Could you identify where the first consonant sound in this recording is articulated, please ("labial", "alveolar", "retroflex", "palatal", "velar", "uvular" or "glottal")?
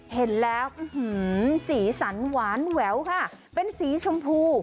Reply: glottal